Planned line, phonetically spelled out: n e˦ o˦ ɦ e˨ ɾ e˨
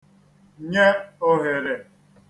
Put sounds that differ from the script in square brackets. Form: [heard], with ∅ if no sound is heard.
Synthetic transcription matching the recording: [ɲ] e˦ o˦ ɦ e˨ ɾ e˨